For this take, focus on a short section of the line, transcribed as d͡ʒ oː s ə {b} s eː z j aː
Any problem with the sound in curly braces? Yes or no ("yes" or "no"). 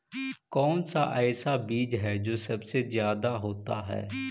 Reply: no